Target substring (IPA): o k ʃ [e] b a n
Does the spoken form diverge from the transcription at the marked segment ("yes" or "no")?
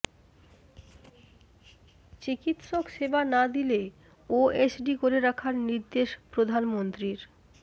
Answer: no